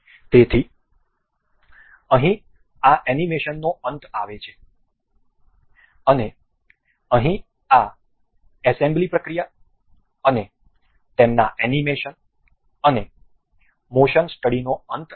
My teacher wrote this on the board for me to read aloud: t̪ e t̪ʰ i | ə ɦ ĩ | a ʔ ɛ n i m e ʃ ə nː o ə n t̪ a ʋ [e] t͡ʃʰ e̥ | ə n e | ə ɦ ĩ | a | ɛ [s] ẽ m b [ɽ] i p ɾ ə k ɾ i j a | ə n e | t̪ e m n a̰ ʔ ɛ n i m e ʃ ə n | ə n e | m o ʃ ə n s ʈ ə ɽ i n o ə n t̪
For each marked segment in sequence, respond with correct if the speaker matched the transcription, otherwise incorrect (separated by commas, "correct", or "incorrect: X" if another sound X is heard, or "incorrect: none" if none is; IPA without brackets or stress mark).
correct, correct, incorrect: l